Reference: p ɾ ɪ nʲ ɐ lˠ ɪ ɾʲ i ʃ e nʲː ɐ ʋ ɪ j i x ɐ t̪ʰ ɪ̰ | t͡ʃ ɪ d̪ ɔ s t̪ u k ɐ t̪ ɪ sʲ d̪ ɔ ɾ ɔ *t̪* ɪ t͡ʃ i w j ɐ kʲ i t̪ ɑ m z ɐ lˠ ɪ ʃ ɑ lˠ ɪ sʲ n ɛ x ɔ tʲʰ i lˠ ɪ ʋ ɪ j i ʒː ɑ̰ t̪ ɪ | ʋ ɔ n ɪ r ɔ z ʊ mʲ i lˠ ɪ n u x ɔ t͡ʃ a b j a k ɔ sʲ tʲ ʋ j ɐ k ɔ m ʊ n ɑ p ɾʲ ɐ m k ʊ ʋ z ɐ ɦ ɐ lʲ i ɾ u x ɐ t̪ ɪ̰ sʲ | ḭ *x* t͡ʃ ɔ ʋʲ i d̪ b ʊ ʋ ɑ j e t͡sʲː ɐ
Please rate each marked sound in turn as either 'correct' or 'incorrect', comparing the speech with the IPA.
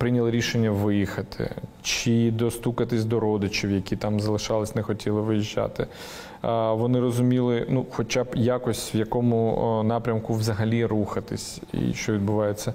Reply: incorrect, incorrect

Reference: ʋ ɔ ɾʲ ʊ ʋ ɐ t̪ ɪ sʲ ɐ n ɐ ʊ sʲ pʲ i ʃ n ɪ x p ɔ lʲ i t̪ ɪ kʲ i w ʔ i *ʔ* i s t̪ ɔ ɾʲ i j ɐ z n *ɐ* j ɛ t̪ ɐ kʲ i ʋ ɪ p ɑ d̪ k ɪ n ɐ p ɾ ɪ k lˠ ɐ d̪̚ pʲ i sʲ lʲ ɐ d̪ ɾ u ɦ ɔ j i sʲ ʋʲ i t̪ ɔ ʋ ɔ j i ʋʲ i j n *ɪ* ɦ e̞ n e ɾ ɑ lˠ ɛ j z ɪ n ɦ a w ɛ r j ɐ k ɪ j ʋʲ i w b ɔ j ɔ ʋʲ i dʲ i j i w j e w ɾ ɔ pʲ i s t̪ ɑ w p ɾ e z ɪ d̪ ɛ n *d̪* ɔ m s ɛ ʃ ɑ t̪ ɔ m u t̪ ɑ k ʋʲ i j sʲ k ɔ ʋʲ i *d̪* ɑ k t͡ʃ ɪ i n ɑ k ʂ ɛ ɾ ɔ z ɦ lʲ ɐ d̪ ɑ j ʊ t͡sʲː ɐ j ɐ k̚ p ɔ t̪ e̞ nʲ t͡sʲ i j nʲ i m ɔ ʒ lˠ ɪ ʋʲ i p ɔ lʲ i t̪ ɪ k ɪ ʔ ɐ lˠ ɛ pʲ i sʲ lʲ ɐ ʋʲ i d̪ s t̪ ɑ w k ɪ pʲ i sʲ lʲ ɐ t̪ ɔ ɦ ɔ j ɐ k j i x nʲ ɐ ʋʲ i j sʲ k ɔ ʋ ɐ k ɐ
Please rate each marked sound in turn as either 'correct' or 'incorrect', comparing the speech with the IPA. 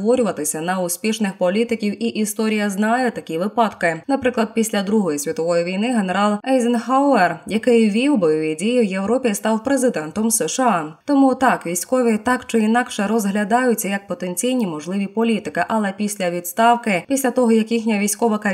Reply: correct, incorrect, correct, incorrect, incorrect

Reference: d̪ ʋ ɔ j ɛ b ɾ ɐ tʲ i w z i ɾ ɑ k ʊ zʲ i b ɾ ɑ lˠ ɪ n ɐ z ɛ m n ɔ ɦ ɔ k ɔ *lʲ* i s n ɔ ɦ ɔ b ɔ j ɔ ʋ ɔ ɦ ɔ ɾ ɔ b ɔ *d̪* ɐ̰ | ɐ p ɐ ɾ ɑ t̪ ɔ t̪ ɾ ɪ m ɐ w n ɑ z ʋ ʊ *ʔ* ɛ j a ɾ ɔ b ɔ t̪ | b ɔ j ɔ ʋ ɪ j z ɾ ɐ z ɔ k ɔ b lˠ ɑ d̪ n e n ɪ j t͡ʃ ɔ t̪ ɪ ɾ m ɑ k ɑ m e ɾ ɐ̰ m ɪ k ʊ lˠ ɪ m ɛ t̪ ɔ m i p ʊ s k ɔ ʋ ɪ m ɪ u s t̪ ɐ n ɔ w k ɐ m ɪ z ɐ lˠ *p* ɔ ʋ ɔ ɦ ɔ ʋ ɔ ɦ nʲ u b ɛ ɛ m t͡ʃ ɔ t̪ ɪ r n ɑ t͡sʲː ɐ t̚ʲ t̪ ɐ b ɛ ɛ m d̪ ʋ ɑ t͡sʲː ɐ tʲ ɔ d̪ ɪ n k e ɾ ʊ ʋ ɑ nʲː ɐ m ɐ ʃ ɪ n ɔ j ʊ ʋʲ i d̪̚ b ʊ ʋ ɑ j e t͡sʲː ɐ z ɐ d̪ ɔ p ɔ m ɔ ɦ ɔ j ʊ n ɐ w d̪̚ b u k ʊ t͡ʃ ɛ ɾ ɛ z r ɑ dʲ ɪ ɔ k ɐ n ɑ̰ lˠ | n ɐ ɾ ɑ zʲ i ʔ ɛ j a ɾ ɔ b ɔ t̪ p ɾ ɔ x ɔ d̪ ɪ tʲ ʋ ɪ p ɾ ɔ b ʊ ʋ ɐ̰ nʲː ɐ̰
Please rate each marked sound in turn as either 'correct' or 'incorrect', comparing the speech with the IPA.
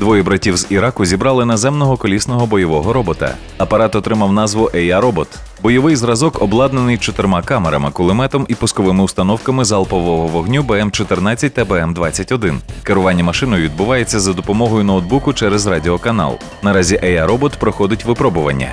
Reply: correct, incorrect, correct, correct

